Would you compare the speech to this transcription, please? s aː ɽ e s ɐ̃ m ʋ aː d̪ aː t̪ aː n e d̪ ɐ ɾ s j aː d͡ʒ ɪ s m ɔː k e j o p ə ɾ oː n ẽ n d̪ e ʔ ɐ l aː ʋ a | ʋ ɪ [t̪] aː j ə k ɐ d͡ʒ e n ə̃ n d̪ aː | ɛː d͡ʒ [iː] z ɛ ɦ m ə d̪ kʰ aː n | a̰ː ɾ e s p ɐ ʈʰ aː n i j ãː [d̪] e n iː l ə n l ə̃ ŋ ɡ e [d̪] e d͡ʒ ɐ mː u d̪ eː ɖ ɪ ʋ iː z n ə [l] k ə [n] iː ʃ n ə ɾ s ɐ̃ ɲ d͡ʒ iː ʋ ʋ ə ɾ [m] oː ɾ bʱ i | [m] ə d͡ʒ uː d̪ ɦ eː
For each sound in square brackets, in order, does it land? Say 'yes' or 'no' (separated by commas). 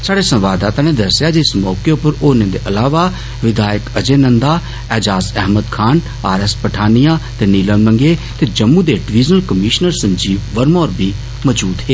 no, no, no, no, yes, no, yes, yes